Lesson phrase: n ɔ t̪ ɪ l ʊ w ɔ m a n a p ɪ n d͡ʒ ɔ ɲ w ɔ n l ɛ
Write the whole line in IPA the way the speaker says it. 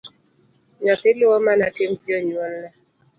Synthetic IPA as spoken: ɲ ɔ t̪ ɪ l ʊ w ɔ m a n a t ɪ m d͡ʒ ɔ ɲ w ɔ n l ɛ